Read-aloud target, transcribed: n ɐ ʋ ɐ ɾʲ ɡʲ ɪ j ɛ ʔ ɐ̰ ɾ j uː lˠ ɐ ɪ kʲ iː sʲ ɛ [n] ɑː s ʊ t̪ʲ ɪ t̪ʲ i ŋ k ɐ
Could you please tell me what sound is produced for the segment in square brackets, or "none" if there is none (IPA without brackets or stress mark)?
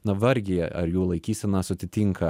n